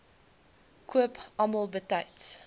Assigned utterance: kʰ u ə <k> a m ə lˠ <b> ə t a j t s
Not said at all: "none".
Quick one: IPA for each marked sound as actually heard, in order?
p, b

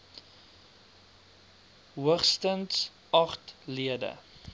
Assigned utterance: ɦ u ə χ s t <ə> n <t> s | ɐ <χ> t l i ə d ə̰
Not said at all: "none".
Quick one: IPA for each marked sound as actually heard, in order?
ə, t, χ

